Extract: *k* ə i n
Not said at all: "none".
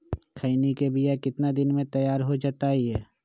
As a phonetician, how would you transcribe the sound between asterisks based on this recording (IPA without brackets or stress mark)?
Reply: kʰ